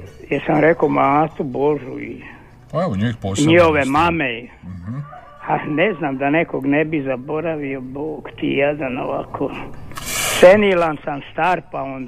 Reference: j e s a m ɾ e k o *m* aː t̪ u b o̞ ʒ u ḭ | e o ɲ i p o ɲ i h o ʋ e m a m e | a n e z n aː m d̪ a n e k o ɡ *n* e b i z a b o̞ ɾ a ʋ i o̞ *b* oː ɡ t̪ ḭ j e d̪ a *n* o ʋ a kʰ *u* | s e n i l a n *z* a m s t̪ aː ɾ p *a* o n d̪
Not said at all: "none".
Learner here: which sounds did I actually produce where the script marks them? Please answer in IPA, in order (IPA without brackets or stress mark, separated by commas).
m, n, b, n, o, s, a